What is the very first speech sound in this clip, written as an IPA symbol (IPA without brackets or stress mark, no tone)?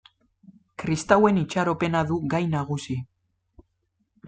k